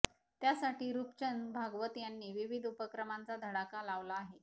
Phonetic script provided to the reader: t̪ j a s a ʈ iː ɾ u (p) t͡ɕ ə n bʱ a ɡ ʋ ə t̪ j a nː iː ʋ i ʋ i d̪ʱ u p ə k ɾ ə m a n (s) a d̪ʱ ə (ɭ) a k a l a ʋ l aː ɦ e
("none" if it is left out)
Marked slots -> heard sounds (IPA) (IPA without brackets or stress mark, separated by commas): p, t͡s, ɽ